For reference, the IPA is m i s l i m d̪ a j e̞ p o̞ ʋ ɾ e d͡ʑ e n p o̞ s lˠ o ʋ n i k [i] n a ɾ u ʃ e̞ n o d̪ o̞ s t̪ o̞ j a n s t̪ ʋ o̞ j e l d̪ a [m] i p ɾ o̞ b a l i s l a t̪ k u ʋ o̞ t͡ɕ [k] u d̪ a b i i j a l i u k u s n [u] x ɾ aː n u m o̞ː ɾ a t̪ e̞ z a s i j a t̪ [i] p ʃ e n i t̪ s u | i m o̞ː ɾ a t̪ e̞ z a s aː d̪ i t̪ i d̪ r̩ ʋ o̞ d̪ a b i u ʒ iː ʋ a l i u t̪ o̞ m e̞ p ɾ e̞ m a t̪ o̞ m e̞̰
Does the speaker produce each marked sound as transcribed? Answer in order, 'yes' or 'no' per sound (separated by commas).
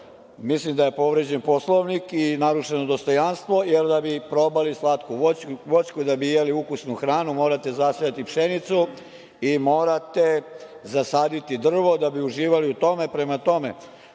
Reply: yes, no, yes, yes, yes